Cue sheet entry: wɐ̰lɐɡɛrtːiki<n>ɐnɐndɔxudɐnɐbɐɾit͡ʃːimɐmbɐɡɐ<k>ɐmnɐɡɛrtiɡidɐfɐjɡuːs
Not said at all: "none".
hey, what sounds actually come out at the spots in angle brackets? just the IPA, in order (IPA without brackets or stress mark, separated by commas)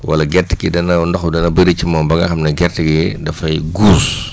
d, x